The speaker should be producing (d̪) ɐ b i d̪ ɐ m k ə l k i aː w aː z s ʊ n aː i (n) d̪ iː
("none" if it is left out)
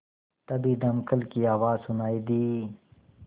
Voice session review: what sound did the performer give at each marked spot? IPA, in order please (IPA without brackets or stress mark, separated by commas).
t̪, none